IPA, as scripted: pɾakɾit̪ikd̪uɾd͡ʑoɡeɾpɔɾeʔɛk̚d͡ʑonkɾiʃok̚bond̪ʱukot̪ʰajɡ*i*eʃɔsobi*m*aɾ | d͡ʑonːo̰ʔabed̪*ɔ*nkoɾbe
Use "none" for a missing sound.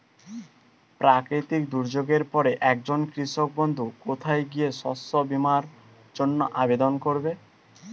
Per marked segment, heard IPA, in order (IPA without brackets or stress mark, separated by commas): i, m, o